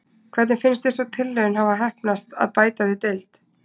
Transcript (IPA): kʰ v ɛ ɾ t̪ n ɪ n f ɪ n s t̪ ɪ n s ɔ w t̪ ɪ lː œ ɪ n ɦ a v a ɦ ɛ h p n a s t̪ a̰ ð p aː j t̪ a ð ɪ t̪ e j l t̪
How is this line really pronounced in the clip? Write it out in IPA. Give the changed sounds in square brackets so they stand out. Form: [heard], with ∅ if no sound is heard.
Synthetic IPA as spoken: kʰ v ɛ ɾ t̪ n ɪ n f ɪ n s t̪ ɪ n s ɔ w [t̪ʰ] ɪ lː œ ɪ n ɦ a v a ɦ ɛ h p n a s t̪ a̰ ð p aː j t̪ a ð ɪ t̪ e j l t̪